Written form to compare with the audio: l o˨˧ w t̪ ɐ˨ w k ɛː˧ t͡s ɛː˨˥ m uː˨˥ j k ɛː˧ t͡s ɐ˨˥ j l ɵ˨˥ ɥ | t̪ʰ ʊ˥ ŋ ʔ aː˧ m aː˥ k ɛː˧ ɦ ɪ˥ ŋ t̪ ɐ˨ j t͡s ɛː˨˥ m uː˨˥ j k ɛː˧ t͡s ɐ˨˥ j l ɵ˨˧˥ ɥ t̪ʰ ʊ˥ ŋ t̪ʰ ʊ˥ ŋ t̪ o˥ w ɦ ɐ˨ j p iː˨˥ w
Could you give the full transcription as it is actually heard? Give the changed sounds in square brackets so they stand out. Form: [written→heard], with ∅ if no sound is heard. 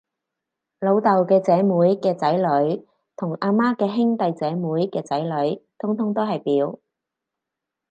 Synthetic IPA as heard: l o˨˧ w t̪ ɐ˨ w k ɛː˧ t͡s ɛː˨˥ m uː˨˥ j k ɛː˧ t͡s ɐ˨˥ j l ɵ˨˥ ɥ | t̪ʰ [ʊ˥→ʊ˨˩] ŋ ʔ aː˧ m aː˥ k ɛː˧ ɦ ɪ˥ ŋ t̪ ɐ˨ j t͡s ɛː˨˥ m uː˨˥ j k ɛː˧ t͡s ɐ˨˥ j l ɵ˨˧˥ ɥ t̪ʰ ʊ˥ ŋ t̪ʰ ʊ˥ ŋ t̪ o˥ w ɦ ɐ˨ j p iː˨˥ w